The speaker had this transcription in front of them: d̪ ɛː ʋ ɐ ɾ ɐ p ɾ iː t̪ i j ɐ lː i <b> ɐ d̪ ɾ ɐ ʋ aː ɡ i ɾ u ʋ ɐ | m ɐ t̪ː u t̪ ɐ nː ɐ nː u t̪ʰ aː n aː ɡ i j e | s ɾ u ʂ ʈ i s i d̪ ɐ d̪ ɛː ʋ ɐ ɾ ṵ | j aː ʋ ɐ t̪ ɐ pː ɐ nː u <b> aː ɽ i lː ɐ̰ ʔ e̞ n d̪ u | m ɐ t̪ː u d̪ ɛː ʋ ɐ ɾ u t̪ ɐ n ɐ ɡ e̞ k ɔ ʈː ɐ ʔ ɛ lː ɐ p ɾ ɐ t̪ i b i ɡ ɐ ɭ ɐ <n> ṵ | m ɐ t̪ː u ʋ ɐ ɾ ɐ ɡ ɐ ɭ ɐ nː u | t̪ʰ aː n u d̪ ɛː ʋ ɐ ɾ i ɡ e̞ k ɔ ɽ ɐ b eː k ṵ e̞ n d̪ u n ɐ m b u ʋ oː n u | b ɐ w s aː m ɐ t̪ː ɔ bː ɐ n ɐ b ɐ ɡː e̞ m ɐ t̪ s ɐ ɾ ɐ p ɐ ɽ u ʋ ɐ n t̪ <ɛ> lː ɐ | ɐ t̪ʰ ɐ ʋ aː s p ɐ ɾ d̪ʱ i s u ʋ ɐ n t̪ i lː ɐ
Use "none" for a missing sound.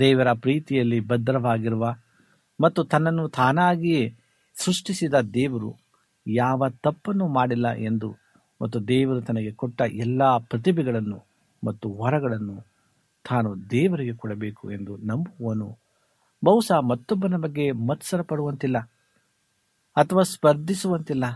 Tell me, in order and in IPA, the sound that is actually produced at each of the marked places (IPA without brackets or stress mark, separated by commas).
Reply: b, m, nː, i